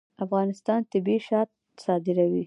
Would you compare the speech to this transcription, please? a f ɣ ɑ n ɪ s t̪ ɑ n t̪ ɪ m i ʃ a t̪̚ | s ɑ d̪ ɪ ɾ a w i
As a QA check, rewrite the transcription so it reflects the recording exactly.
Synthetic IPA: a f ɣ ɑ n ɪ s t̪ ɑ n t̪ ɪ b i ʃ ɑ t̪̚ | s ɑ d̪ ɪ ɾ a w i